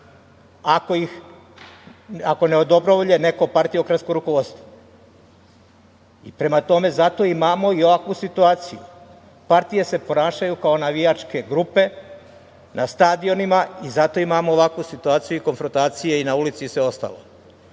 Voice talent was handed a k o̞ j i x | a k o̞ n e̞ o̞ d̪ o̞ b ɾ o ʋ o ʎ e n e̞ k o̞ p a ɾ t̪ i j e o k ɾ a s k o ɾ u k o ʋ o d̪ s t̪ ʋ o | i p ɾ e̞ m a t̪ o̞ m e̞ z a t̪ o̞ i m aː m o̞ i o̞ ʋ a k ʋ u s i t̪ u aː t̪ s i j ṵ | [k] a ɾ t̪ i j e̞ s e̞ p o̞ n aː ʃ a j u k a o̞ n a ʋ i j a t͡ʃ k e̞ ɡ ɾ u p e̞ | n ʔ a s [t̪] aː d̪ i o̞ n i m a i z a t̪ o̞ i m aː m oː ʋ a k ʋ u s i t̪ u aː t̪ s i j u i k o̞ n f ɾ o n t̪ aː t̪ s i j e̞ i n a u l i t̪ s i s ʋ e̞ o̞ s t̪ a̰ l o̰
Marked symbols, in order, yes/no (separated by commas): no, yes